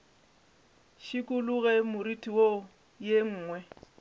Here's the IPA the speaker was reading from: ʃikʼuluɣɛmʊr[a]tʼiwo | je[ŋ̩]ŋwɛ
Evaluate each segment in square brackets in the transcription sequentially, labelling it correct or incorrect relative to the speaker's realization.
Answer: incorrect: i, incorrect: ŋ̩ː

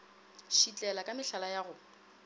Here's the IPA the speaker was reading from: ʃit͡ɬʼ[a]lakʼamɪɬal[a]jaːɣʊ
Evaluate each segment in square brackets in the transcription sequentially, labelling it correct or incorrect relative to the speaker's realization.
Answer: incorrect: ɛ, correct

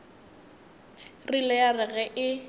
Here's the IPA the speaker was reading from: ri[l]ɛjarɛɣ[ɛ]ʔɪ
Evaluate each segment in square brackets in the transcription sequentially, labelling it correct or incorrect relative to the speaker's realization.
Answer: correct, correct

